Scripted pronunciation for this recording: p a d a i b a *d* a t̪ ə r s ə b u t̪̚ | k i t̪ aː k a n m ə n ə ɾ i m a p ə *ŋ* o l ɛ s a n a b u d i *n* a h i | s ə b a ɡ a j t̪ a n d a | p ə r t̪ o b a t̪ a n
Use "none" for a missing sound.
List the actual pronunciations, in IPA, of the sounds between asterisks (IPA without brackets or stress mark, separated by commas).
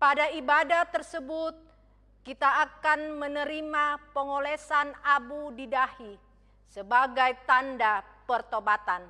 d, ŋ, d